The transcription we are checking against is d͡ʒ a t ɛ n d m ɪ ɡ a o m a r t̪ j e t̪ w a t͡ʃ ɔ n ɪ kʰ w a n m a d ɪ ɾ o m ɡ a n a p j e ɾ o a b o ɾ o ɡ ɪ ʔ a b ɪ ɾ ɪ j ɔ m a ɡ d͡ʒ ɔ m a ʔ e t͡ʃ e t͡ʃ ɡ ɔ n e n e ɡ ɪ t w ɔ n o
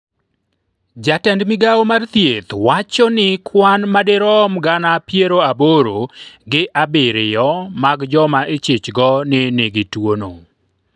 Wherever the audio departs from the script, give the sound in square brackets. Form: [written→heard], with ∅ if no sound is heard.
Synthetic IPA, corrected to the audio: d͡ʒ a t ɛ n d m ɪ ɡ a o m a r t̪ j e t̪ w a t͡ʃ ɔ n ɪ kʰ w a n m a d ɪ ɾ [o→ɔ] m ɡ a n a p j e ɾ o a b o ɾ o ɡ ɪ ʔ a b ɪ ɾ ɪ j ɔ m a ɡ d͡ʒ ɔ m a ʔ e t͡ʃ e t͡ʃ ɡ ɔ n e n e ɡ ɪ t w [ɔ→o] n o